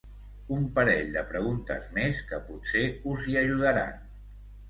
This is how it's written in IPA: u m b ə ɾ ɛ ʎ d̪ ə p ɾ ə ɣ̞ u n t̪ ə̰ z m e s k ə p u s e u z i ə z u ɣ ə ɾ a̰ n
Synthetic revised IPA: u m p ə ɾ ɛ ʎ d̪ ə p ɾ ə ɣ̞ u n t̪ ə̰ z m e s k ə p u s e u z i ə ʒ u ð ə ɾ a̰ n